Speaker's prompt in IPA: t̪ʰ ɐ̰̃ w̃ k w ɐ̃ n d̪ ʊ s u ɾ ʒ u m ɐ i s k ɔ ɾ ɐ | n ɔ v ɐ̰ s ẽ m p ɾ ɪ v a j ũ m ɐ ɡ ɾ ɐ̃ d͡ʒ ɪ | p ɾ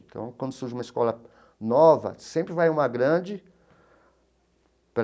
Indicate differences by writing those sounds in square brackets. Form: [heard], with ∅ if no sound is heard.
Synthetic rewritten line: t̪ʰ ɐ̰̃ w̃ k w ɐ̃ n d̪ ʊ s u ɾ ʒ u m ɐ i s k ɔ [l] ɐ | n ɔ v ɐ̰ s ẽ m p ɾ ɪ v a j ũ m ɐ ɡ ɾ ɐ̃ d͡ʒ ɪ | p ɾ